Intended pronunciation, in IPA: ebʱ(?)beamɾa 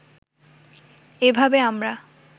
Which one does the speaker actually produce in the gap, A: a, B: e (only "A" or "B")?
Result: A